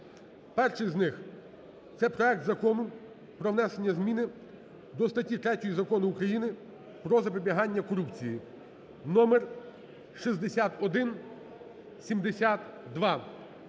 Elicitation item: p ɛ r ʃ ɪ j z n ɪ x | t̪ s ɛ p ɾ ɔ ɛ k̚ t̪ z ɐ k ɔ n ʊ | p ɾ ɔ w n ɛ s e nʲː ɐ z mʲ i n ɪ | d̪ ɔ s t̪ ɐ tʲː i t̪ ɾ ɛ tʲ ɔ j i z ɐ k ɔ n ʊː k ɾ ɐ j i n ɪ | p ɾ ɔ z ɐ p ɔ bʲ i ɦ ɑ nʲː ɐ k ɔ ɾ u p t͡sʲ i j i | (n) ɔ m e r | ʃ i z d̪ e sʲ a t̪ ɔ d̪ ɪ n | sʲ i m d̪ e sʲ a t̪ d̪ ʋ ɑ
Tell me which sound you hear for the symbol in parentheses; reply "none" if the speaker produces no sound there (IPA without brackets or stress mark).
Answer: n